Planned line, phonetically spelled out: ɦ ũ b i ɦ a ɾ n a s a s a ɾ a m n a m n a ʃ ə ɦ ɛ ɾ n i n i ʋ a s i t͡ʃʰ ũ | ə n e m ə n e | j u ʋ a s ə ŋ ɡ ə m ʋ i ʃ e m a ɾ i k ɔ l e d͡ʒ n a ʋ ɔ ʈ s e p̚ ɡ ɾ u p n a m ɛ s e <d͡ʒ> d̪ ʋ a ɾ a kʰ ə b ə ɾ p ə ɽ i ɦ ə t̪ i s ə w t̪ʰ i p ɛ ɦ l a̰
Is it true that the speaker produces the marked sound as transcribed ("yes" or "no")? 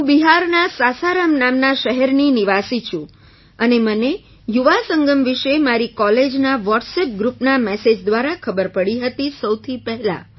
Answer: yes